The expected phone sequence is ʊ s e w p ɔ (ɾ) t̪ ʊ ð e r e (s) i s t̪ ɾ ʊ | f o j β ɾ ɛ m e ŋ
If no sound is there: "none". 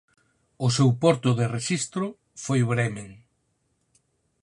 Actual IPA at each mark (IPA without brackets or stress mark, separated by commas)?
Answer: ɾ, ʃ